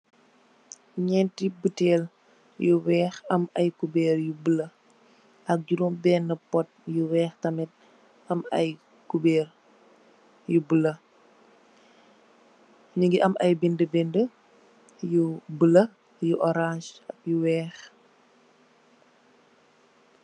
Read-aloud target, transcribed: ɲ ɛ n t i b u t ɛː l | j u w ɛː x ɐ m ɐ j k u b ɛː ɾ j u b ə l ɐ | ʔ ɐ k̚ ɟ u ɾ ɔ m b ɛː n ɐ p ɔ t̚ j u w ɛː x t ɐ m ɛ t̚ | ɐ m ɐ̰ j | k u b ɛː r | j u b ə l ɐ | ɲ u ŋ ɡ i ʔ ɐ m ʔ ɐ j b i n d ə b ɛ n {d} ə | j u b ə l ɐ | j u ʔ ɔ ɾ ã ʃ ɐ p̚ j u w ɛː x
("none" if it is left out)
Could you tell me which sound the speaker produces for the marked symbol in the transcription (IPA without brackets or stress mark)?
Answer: d